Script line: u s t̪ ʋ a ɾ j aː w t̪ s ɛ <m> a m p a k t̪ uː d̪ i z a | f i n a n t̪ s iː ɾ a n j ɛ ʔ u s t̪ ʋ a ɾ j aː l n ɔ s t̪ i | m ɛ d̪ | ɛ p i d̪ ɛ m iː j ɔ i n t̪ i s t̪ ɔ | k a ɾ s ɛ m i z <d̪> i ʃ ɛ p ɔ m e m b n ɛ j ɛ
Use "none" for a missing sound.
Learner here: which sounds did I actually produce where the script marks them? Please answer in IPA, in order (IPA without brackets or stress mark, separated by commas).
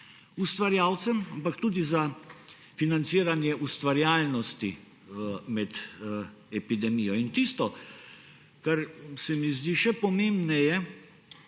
m, d̪